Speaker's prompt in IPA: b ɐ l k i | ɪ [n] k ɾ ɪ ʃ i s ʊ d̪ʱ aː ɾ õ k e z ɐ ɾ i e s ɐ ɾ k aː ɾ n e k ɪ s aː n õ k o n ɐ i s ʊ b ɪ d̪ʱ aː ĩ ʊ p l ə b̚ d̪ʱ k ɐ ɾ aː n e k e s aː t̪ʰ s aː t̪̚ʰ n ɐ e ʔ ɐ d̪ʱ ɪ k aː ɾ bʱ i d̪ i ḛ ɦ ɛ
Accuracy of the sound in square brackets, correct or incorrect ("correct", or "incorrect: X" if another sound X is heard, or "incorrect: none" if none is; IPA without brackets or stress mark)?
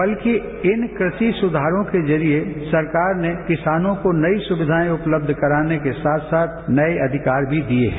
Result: correct